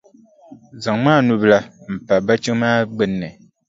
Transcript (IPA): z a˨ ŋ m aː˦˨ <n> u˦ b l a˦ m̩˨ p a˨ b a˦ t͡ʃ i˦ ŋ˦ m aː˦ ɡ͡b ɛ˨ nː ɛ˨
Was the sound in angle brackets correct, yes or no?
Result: yes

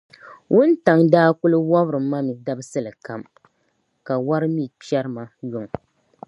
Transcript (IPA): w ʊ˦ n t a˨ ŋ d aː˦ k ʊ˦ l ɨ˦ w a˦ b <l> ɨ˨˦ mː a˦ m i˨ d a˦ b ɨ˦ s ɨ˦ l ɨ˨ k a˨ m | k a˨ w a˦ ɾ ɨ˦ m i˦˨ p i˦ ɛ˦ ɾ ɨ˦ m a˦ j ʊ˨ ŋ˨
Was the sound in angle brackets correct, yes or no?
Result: no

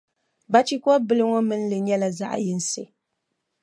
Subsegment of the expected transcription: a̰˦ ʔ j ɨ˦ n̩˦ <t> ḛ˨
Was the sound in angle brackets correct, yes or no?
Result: no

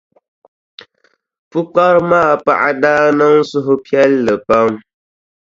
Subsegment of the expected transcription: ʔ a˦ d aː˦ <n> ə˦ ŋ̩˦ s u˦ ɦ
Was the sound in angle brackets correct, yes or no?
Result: yes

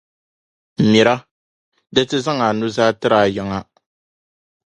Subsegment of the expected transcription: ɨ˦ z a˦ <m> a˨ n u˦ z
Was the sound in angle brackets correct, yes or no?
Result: no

